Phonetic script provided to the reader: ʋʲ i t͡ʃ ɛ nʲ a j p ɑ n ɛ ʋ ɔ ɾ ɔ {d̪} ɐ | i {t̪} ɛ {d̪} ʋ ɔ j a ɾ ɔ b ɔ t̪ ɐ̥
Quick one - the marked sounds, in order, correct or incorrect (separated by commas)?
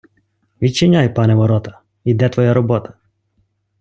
incorrect, incorrect, incorrect